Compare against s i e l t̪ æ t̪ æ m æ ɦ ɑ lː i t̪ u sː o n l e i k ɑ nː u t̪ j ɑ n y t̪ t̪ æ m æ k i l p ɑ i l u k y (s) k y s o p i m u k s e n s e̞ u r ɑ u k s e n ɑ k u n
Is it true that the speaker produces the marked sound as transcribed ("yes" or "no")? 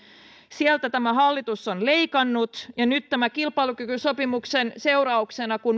no